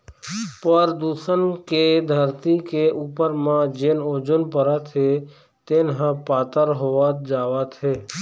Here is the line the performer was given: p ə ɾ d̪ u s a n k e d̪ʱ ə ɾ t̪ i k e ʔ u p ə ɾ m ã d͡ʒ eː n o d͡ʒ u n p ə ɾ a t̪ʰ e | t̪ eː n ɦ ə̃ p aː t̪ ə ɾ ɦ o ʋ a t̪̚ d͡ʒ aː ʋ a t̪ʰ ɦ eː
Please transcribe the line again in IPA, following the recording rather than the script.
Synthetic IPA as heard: p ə ɾ d̪ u s ə n k e d̪ʱ ə ɾ t̪ i k e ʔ u p ə ɾ m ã d͡ʒ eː n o d͡ʒ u n p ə ɾ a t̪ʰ e | t̪ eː n ɦ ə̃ p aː t̪ ə ɾ ɦ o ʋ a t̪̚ d͡ʒ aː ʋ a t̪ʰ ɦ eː